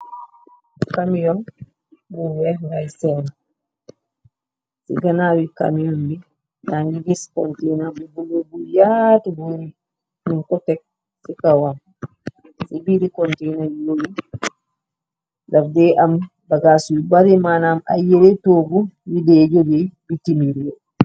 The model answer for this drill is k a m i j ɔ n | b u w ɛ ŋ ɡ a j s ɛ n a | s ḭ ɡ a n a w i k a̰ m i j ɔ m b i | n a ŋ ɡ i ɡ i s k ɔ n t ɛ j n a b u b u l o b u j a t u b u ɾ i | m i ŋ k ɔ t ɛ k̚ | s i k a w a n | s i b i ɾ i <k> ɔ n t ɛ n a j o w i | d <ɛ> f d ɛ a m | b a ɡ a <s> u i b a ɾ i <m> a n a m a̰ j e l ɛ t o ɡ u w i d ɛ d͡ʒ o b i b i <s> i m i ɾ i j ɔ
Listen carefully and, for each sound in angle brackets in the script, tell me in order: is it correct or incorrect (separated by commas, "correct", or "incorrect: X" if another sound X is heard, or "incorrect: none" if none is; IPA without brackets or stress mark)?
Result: correct, incorrect: a, correct, correct, incorrect: t